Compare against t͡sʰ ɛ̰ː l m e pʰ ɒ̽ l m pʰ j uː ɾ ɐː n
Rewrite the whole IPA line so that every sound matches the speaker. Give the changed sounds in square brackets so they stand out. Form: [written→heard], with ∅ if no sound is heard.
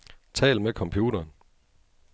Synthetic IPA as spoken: t͡sʰ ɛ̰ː l m e [pʰ→kʰ] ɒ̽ [l→∅] m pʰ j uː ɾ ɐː n